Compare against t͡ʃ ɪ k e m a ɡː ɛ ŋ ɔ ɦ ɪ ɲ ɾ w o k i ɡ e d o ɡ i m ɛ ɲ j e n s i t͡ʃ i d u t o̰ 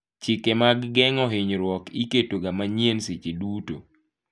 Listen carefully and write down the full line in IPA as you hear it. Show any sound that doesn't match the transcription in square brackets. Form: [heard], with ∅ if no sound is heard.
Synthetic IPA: t͡ʃ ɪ k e m a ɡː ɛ ŋ ɔ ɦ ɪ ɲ ɾ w [ɔ] k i [k] e [t] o ɡ [a] m [a] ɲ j e n s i t͡ʃ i d u t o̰